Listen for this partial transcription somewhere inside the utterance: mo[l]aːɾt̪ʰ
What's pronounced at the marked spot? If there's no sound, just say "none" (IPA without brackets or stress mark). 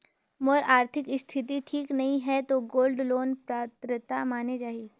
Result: ɾ